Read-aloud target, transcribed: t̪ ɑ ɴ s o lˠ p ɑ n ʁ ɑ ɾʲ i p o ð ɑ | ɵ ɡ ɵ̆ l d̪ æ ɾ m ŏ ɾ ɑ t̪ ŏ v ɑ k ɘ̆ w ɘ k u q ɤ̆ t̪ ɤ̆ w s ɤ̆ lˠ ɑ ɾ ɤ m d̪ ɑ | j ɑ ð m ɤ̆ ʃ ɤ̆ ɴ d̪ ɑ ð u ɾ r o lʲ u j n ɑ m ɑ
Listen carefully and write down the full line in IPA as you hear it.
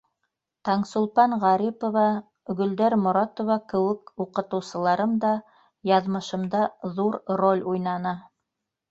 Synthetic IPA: t̪ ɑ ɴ s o lˠ p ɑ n ʁ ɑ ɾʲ i p o v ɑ | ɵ ɡ ɵ̆ l d̪ æ ɾ m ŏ ɾ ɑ t̪ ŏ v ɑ k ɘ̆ w ɘ k u q ɤ̆ t̪ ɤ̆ w s ɤ̆ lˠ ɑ ɾ ɤ m d̪ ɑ | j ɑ ð m ɤ̆ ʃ ɤ̆ m d̪ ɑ ð u ɾ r o lʲ u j n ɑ n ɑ